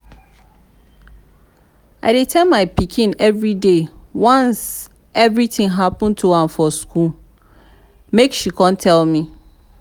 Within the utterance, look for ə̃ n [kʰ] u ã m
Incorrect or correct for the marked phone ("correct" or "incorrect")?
incorrect